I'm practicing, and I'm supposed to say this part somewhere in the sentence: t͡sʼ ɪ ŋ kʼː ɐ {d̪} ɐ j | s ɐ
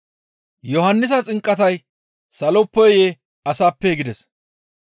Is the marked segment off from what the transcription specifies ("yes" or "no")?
yes